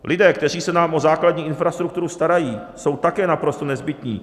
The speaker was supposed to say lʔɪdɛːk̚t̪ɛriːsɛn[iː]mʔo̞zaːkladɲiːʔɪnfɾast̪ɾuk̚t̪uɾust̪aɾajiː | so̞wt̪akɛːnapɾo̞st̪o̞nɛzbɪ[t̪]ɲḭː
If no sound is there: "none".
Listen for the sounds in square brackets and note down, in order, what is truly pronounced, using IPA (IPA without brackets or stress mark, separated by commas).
aː, t̪